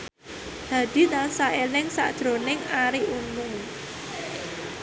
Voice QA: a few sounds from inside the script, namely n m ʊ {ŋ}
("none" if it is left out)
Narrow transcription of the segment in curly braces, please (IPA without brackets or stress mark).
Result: ŋ